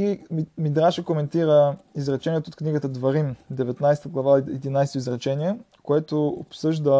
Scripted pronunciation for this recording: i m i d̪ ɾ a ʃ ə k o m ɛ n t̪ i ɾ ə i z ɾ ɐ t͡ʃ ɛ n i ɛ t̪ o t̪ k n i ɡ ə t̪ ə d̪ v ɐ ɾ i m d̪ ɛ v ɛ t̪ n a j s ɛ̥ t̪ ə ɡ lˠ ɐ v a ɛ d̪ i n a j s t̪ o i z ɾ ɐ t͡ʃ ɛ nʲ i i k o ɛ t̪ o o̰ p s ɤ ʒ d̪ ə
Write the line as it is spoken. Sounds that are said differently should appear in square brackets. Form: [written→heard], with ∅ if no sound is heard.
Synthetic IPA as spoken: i m i d̪ ɾ a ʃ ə k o m ɛ n t̪ i ɾ ə i z ɾ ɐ t͡ʃ ɛ n i ɛ t̪ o t̪ k n i ɡ ə t̪ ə d̪ v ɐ ɾ i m d̪ ɛ v ɛ t̪ n a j s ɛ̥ t̪ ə ɡ lˠ ɐ v a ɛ d̪ i n a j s t̪ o i z ɾ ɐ t͡ʃ ɛ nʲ i [i→ɛ] k o ɛ t̪ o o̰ p s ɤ ʒ d̪ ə